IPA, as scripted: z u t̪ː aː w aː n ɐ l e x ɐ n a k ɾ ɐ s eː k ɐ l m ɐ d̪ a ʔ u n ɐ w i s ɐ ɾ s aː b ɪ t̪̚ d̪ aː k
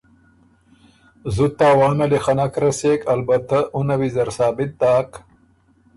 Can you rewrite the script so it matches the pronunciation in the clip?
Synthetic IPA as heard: z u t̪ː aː w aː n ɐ l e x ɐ n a k ɾ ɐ s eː k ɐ l b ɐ t̪ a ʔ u n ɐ w i z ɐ ɾ s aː b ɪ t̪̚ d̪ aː k